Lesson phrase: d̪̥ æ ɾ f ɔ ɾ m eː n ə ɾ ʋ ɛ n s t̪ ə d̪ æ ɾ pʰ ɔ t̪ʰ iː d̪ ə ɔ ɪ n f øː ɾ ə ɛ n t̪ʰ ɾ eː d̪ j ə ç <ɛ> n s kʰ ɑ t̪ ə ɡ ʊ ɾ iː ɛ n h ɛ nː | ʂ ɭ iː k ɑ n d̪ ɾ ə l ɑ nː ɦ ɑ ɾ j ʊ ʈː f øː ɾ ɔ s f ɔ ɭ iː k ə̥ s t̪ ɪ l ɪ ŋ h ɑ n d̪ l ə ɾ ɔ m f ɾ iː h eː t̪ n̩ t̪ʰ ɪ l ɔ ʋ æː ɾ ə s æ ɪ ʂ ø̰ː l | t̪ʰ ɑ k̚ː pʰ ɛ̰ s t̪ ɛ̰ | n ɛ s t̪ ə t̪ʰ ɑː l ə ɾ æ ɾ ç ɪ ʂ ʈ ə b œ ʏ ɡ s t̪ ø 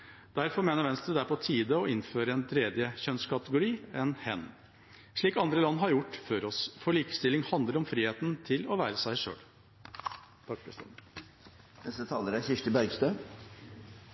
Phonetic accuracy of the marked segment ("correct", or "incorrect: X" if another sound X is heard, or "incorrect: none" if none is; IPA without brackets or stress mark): incorrect: œ